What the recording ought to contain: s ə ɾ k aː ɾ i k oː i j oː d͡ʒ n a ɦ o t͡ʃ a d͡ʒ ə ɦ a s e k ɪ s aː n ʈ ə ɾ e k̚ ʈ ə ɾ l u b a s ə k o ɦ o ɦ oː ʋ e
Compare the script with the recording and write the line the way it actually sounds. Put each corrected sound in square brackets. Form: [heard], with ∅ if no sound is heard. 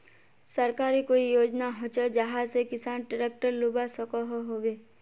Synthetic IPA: s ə ɾ k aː ɾ i k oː i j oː d͡ʒ n a ɦ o t͡ʃ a d͡ʒ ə ɦ a s e k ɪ s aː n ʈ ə ɾ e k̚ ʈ ə ɾ l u b a s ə k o ɦ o ɦ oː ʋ e